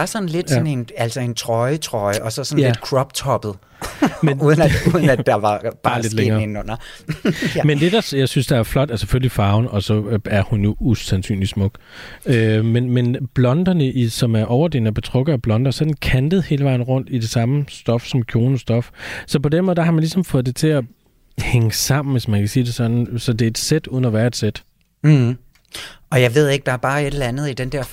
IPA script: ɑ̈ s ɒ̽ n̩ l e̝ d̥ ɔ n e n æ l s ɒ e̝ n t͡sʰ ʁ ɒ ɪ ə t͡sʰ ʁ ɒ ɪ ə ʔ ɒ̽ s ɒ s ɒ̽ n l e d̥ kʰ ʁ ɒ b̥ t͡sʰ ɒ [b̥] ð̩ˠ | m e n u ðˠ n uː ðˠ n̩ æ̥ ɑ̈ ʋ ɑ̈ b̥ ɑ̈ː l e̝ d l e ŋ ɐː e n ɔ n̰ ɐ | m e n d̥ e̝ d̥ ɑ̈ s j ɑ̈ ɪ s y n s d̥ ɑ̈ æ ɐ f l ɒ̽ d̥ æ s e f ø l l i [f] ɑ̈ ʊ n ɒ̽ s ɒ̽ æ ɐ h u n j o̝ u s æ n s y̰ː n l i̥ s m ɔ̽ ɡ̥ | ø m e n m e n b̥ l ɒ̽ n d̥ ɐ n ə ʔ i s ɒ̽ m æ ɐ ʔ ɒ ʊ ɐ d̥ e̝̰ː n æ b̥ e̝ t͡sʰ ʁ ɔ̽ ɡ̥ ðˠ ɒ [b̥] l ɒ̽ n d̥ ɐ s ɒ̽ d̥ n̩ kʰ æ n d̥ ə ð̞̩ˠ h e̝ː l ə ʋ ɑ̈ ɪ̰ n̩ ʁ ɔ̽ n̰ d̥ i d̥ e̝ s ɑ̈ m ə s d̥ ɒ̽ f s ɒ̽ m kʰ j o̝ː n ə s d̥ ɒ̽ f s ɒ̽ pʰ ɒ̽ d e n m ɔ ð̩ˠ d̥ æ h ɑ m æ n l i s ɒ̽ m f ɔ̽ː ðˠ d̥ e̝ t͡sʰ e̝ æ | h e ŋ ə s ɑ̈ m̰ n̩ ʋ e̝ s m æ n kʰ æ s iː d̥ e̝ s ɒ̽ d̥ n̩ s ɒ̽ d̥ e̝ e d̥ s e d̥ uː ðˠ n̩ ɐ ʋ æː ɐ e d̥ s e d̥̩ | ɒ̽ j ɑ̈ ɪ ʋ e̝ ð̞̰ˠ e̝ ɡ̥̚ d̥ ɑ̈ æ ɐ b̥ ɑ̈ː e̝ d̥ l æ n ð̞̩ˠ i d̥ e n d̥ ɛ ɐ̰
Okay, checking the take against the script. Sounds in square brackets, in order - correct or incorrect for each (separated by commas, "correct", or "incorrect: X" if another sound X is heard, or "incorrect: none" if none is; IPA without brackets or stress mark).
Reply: correct, correct, correct